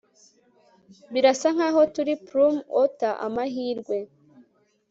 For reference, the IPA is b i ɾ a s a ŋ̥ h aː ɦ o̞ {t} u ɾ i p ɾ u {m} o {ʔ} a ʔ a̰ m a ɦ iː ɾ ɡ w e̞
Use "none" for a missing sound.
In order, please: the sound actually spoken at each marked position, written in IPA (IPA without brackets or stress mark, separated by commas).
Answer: t, m, t